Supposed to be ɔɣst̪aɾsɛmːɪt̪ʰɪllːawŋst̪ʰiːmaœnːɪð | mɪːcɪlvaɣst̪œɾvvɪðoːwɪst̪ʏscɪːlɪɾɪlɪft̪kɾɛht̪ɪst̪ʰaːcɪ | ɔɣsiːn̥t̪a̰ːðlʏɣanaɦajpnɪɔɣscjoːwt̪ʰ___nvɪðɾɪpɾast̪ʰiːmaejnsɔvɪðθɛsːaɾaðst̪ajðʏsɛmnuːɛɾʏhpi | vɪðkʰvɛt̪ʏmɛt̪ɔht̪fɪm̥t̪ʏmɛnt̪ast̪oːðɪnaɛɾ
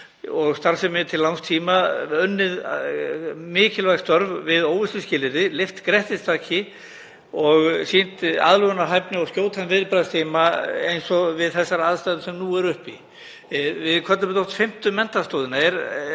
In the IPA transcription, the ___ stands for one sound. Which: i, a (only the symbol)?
a